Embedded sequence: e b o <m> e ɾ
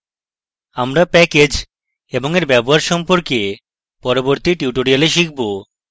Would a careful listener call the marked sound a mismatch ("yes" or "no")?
yes